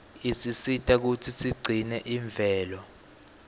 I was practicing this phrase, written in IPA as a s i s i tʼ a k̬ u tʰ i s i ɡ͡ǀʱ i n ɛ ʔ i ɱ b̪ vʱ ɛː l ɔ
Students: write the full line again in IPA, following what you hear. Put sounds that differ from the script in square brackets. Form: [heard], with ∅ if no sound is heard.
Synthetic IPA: [i] s i s i tʼ a k̬ u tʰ i s i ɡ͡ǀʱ i n ɛ ʔ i ɱ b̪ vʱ ɛː l ɔ